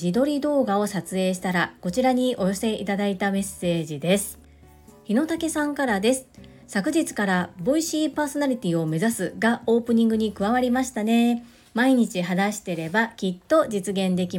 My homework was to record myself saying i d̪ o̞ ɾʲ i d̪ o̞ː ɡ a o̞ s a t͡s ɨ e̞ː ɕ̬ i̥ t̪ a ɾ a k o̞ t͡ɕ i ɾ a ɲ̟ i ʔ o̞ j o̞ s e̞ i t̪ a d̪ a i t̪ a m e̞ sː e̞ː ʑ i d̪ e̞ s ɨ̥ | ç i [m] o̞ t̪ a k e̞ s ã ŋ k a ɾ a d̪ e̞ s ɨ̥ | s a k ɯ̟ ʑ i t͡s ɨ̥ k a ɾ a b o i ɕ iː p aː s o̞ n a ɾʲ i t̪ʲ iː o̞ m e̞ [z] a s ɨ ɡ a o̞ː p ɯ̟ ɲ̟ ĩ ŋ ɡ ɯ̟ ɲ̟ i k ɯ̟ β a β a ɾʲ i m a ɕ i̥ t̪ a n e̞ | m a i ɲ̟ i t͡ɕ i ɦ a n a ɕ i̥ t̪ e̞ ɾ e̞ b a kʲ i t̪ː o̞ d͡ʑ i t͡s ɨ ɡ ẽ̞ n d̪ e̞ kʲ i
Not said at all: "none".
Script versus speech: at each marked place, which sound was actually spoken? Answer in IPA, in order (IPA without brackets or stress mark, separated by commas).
n, z